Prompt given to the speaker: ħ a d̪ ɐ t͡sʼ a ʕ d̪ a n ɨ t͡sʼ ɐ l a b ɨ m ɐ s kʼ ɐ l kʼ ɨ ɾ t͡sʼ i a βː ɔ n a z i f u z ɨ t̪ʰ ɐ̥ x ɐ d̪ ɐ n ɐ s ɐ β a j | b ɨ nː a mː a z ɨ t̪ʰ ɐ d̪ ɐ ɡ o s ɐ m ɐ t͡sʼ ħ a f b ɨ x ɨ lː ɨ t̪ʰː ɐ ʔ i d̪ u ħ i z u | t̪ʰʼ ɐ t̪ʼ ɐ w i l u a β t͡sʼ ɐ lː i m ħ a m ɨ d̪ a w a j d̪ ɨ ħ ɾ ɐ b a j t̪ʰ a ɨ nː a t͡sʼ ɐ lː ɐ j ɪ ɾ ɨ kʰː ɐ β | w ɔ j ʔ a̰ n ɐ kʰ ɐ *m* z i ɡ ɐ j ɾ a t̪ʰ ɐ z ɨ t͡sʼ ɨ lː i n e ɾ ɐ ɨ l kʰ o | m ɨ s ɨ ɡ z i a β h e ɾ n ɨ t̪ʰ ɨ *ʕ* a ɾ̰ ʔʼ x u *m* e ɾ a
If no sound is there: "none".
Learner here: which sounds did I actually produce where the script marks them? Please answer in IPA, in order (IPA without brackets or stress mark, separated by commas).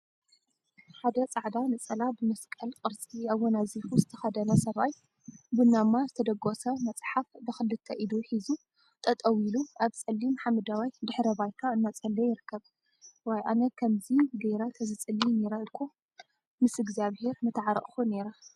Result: m, ʕ, n